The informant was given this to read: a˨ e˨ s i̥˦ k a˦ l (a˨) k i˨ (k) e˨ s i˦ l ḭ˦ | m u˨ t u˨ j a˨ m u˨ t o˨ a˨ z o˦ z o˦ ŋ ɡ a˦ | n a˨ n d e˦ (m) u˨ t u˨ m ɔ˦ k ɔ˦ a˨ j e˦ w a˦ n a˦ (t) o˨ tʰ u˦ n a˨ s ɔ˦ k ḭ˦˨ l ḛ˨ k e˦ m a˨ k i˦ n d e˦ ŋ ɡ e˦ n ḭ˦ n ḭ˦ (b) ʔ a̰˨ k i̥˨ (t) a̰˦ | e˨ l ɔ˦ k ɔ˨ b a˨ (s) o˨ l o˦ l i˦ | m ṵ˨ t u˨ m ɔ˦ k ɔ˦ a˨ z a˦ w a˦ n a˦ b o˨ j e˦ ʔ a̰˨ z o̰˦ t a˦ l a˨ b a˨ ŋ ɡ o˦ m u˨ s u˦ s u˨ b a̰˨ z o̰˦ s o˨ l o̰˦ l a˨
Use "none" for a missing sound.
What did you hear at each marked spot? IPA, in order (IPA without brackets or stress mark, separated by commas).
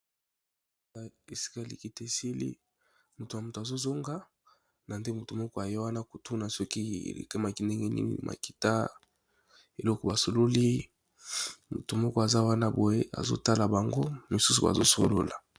i˨, t, m, k, m, t, s